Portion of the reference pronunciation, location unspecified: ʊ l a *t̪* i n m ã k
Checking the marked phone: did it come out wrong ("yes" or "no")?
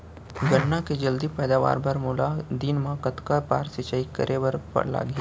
yes